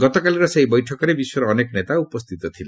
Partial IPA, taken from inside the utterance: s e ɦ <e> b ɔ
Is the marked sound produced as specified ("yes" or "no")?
no